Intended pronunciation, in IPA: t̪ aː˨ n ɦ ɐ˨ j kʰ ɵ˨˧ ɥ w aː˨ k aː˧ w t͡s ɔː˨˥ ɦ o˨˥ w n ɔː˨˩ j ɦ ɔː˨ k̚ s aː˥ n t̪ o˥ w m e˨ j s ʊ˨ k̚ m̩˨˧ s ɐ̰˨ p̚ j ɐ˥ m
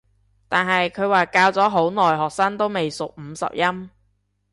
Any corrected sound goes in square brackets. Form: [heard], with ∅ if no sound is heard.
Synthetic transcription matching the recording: t̪ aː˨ n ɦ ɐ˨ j kʰ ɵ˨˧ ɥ w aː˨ k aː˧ w t͡s ɔː˨˥ ɦ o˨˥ w n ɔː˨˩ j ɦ ɔː˨ k̚ s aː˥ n t̪ o˥ w m e˨ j s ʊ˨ k̚ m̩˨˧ s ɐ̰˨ p̚ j ɐ˥ m